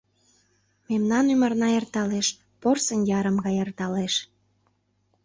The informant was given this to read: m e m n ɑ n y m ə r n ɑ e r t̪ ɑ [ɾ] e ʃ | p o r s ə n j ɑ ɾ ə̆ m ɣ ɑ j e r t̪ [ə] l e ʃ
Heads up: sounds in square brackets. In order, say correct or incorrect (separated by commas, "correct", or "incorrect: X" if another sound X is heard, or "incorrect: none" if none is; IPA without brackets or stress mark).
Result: incorrect: l, incorrect: ɑ